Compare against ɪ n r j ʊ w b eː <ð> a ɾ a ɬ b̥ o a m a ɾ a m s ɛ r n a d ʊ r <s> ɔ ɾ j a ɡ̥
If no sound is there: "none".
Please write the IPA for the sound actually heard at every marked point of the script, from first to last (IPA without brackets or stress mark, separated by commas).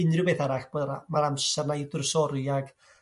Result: θ, s